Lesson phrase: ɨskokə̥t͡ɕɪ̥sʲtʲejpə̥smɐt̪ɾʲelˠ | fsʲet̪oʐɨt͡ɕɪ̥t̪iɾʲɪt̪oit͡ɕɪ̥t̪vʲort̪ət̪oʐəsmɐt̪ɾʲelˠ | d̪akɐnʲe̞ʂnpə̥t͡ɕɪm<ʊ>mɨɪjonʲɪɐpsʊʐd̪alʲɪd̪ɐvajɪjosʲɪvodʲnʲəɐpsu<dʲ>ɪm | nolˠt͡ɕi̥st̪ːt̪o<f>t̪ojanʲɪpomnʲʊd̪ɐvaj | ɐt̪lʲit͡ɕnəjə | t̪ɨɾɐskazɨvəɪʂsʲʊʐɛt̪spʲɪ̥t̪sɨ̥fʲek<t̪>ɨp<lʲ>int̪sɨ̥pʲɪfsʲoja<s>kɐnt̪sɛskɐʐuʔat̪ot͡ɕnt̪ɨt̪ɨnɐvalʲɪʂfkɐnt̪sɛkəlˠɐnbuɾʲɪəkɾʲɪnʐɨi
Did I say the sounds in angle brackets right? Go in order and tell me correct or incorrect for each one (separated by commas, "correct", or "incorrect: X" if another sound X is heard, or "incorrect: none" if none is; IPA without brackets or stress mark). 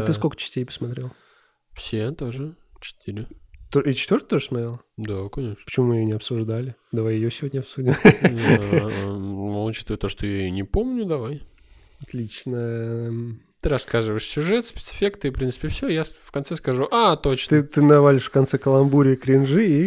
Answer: incorrect: u, correct, incorrect: ʂ, correct, incorrect: ɾʲ, incorrect: f